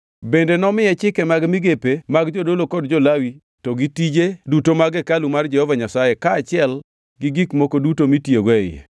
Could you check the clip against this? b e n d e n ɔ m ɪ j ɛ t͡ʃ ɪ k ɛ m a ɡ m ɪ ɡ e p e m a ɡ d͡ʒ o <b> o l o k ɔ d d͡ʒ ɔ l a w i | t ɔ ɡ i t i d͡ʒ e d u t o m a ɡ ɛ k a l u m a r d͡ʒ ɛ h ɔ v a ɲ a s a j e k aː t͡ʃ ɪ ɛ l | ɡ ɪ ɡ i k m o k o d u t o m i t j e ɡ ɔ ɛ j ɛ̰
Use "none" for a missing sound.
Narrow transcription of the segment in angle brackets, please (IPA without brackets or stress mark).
d